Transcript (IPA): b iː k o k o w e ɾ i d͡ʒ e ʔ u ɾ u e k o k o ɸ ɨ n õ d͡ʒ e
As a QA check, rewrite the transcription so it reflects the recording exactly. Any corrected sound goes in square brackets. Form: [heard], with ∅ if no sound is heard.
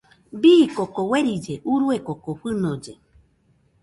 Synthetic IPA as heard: b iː k o k o w e ɾ i d͡ʒ e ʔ u ɾ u e k o k o ɸ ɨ n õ d͡ʒ e